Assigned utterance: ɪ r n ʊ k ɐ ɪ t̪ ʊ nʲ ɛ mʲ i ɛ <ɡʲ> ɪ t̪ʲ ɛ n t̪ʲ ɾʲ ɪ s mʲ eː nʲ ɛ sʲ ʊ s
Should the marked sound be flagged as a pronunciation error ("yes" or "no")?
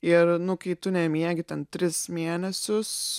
no